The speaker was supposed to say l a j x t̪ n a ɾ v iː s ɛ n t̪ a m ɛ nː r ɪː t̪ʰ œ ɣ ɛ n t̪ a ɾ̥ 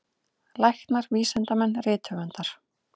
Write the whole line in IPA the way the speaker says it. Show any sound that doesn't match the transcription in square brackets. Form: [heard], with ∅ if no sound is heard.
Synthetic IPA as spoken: l a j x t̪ n a ɾ v iː s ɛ n t̪ a m ɛ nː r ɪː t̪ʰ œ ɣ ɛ n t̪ a ɾ̥